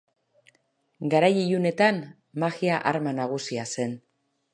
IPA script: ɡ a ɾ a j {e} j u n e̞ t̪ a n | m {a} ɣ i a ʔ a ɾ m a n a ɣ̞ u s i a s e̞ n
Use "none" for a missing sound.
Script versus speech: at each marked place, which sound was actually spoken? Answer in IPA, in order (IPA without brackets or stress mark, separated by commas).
i, a